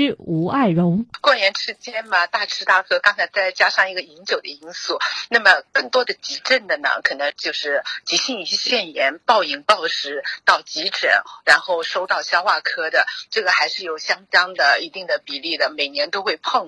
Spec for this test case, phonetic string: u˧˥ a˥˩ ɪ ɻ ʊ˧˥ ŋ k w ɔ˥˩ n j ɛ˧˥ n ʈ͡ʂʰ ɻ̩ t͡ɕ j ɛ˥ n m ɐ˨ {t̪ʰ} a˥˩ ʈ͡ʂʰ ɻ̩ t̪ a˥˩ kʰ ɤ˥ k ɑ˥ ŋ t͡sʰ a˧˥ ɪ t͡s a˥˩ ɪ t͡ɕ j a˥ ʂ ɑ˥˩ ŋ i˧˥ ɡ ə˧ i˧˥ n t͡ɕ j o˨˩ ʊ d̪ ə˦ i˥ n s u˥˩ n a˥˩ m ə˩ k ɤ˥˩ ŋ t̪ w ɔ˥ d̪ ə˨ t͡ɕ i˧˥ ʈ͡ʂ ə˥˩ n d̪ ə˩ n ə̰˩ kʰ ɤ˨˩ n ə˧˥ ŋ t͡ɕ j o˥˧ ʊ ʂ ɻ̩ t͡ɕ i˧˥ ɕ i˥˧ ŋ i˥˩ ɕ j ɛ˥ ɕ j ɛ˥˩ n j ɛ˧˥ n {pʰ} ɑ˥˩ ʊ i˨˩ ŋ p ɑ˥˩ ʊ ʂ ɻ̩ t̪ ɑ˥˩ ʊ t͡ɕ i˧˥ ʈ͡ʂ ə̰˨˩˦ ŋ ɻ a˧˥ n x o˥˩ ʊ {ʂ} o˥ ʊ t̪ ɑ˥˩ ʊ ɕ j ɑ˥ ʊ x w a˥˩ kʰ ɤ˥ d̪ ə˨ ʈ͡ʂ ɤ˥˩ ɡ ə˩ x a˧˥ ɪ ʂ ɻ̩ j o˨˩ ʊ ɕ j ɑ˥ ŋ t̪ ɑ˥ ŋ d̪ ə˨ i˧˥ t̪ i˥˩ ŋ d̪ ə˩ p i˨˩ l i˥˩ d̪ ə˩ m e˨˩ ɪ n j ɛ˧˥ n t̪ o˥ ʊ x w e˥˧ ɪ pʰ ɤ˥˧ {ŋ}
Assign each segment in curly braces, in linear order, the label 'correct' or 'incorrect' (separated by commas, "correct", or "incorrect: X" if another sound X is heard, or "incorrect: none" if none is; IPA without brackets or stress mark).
incorrect: t̪, incorrect: p, correct, correct